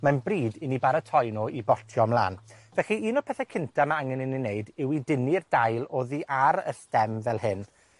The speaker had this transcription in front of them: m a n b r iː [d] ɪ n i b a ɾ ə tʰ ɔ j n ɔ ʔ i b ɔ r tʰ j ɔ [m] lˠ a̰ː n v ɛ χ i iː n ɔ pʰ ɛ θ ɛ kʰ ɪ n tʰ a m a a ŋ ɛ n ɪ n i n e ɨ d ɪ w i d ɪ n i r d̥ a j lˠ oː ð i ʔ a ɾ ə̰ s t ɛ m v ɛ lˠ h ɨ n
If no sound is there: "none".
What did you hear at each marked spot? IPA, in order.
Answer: d, m

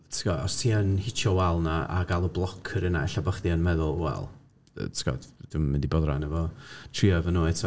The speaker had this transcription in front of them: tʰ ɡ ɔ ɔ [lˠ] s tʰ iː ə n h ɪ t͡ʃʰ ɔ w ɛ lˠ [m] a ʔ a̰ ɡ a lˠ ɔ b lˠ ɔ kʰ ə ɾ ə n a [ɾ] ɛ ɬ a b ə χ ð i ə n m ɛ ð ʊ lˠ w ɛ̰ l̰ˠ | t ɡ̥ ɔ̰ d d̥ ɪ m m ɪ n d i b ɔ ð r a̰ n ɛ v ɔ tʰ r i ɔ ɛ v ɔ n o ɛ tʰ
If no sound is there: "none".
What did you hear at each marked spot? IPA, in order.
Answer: none, n, none

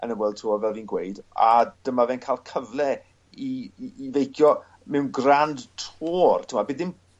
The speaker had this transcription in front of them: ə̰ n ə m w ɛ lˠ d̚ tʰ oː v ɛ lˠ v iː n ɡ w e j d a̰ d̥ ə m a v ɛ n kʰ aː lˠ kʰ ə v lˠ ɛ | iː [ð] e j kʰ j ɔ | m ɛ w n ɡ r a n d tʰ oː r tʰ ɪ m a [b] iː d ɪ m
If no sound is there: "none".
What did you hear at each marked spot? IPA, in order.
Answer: v, b

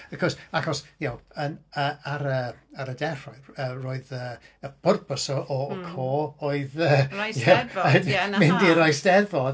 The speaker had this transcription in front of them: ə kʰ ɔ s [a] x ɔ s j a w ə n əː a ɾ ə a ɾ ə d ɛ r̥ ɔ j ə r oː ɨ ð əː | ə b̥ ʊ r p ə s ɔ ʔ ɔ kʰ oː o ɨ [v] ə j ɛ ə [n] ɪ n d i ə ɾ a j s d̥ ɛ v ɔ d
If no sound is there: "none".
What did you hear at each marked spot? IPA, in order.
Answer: a, ð, m

